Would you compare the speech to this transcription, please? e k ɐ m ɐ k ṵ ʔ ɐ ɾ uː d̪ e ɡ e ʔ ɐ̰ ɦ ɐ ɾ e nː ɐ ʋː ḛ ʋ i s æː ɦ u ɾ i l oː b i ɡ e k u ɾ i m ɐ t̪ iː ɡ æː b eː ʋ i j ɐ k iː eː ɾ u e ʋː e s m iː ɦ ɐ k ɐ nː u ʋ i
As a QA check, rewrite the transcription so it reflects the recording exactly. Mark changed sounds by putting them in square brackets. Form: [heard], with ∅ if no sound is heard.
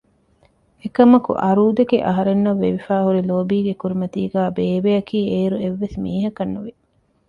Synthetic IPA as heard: e k ɐ m ɐ k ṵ ʔ ɐ ɾ uː d̪ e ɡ e ʔ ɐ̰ ɦ ɐ ɾ e nː ɐ ʋː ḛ ʋ i [f] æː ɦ u ɾ i l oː b [iː] ɡ e k u ɾ i m ɐ t̪ iː ɡ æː b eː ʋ [e] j ɐ k iː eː ɾ u e ʋː e s m iː ɦ ɐ k ɐ nː u ʋ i